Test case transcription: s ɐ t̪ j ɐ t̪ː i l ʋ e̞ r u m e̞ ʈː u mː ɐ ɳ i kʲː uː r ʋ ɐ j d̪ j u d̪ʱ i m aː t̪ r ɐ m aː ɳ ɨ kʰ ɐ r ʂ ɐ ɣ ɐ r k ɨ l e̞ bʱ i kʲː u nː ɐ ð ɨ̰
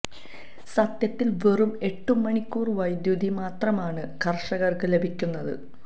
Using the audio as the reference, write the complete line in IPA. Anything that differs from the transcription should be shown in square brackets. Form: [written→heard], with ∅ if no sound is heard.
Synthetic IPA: s ɐ t̪ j ɐ t̪ː i l ʋ e̞ r u m e̞ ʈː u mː ɐ ɳ i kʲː uː r ʋ ɐ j d̪ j u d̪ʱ i m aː t̪ r ɐ m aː ɳ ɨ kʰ ɐ r ʂ ɐ ɣ ɐ r k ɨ l e̞ bʱ i kʲː u nː ɐ ð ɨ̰